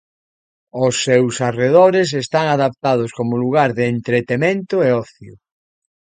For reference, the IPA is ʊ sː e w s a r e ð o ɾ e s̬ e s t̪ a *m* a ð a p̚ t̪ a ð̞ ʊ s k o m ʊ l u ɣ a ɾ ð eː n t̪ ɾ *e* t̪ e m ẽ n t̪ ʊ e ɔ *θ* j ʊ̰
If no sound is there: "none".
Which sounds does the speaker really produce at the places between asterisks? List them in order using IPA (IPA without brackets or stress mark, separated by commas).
ŋ, e, θ